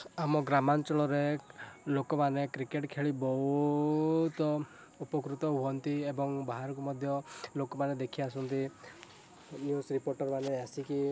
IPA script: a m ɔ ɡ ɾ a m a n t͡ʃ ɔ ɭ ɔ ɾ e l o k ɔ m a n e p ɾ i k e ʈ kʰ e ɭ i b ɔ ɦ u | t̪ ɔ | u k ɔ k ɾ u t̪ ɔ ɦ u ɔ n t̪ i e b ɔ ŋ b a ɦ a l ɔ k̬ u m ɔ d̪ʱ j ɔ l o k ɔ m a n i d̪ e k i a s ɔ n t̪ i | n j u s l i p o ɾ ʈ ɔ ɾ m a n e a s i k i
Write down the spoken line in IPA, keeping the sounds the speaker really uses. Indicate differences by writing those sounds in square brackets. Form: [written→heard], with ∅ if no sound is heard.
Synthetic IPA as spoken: a m ɔ ɡ ɾ a m a n t͡ʃ ɔ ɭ ɔ ɾ e l o k ɔ m a n e [p→k] ɾ i k e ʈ kʰ e ɭ i b ɔ ɦ u | t̪ ɔ | u [k→p] ɔ k ɾ u t̪ ɔ ɦ u ɔ n t̪ i e b ɔ ŋ b a ɦ a [l→ɾ] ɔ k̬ u m ɔ d̪ʱ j ɔ l o k ɔ m a n [i→e] d̪ e [k→kʰ] i a s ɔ n t̪ i | n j u s [l→ɾ] i p o ɾ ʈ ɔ ɾ m a n e a s i k i